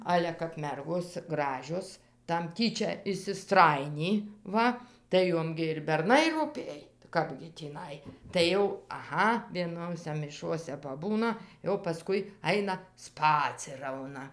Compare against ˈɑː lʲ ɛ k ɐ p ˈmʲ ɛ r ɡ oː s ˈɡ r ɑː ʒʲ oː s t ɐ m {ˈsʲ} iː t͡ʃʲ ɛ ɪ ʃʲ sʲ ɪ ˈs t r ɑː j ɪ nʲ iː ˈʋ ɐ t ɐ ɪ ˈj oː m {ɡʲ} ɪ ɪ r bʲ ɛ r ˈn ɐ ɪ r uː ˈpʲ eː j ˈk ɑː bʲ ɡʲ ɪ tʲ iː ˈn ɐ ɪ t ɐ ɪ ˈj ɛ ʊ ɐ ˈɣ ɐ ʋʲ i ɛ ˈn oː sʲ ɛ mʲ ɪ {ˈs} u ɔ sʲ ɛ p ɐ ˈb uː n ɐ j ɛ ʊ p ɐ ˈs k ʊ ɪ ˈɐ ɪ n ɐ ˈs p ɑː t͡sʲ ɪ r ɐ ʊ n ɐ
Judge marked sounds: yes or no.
no, yes, no

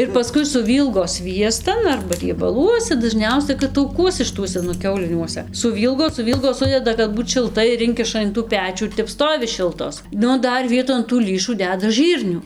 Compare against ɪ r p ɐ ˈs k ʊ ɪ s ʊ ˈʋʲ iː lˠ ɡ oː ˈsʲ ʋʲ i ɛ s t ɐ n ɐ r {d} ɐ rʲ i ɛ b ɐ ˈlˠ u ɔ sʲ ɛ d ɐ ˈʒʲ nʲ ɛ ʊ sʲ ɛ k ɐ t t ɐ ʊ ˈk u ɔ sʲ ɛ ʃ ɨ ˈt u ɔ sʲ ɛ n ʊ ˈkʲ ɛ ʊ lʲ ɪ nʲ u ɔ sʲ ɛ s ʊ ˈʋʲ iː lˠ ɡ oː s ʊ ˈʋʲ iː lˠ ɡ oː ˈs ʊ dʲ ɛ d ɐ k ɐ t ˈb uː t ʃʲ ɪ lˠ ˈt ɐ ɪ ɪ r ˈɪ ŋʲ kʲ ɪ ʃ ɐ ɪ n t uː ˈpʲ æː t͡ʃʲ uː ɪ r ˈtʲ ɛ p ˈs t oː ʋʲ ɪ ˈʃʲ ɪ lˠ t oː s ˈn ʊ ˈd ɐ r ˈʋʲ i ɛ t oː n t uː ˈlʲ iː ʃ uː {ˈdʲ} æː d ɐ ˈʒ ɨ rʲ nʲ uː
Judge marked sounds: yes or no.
no, yes

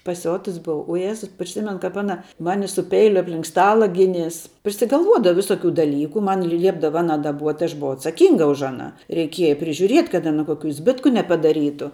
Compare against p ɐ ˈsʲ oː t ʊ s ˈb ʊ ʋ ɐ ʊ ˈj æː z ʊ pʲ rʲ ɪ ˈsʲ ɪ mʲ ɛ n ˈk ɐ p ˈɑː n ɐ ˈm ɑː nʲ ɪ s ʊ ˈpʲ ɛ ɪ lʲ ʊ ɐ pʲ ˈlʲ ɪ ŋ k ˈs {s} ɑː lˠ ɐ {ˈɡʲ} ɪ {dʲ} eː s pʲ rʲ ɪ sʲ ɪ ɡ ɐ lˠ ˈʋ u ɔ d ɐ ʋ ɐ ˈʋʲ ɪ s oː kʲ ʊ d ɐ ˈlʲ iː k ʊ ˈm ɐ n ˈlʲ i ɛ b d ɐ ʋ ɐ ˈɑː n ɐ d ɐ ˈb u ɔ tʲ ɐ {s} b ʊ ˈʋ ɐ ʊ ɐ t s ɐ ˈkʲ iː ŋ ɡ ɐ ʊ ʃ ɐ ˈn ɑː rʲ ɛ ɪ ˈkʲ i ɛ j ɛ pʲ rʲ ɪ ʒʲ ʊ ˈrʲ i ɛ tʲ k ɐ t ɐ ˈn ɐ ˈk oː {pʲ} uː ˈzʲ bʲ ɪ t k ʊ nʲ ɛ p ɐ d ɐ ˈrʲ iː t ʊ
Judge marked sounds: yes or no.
no, yes, no, no, no

